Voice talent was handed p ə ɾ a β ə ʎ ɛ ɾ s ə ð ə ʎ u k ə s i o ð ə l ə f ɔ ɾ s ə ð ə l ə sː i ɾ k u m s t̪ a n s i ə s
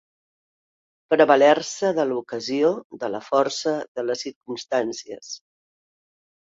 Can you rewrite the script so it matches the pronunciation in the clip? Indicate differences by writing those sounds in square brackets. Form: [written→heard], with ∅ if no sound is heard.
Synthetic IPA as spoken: p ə ɾ [a→ə] β ə [ʎ→l] ɛ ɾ s ə ð ə [ʎ→l] u k ə [s→z] i o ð ə l ə f ɔ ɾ s ə ð ə l ə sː i ɾ k u m s t̪ a n s i ə s